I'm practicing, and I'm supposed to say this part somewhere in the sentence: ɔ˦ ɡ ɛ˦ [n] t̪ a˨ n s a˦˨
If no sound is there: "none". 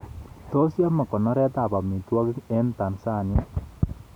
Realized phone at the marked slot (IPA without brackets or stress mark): n